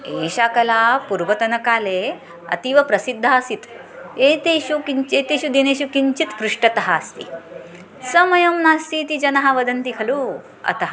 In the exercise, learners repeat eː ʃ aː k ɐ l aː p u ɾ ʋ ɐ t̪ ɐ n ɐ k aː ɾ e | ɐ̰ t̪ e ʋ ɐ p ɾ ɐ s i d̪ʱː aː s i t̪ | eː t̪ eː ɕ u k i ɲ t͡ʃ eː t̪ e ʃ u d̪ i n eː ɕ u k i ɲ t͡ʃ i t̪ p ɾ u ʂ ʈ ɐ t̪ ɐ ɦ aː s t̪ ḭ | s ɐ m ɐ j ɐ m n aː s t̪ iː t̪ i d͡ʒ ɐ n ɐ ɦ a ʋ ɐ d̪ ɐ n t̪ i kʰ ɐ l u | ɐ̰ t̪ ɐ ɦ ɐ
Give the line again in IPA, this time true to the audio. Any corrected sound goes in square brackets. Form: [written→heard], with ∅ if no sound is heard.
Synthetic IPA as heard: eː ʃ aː k ɐ l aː p u ɾ ʋ ɐ t̪ ɐ n ɐ k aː [ɾ→l] e | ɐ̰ t̪ [e→i] ʋ ɐ p ɾ ɐ s i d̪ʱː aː s i t̪ | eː t̪ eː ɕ u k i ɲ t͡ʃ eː t̪ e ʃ u d̪ i n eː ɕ u k i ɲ t͡ʃ i t̪ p ɾ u ʂ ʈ ɐ t̪ ɐ ɦ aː s t̪ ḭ | s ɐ m ɐ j ɐ m n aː s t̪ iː t̪ i d͡ʒ ɐ n ɐ ɦ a ʋ ɐ d̪ ɐ n t̪ i kʰ ɐ l u | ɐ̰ t̪ ɐ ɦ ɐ